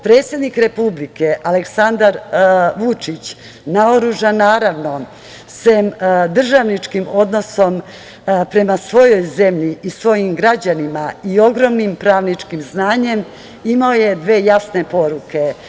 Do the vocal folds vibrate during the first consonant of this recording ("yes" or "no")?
no